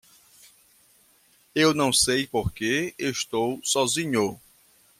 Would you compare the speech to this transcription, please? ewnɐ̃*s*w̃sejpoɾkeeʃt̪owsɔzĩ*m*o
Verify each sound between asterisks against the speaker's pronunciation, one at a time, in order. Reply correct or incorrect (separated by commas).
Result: incorrect, incorrect